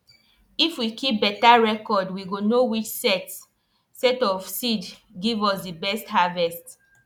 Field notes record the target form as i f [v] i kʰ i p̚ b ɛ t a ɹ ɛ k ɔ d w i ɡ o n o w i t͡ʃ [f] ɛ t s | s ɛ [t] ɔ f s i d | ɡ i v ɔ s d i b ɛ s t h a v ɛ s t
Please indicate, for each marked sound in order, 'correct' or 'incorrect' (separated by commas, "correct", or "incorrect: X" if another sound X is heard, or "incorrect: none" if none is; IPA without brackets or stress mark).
incorrect: w, incorrect: s, correct